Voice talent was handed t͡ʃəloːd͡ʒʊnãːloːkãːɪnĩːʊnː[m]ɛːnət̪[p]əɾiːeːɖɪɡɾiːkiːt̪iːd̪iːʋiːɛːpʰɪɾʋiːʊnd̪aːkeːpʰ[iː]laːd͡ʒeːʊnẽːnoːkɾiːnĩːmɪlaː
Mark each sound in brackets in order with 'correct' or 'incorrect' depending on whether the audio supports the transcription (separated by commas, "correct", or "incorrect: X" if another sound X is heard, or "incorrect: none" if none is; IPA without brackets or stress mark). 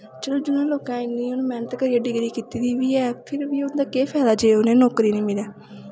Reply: correct, incorrect: k, incorrect: ɛː